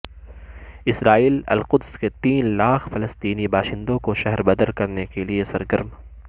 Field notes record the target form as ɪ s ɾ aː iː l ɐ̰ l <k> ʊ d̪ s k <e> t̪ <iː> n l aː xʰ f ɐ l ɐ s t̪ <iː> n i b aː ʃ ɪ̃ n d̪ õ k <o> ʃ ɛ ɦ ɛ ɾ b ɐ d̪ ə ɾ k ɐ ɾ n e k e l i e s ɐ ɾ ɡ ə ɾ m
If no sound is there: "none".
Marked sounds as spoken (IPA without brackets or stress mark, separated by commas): q, e, iː, iː, o